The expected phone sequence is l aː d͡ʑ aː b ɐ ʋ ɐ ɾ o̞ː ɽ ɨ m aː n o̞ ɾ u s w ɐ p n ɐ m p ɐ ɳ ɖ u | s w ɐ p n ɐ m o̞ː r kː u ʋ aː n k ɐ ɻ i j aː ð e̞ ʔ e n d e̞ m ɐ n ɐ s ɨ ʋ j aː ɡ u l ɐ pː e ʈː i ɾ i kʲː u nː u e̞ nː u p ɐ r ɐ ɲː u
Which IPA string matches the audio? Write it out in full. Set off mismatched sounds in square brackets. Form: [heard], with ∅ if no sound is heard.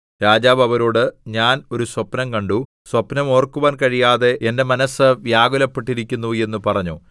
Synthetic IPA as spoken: [ɾ] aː d͡ʑ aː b ɐ ʋ ɐ ɾ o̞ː ɽ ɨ [ɲ] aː n o̞ ɾ u s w ɐ p n ɐ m [k] ɐ ɳ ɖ u | s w ɐ p n ɐ m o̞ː r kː u ʋ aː n k ɐ ɻ i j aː ð e̞ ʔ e n d e̞ m ɐ n ɐ s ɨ ʋ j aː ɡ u l ɐ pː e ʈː i ɾ i kʲː u nː u e̞ nː u p ɐ r ɐ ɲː u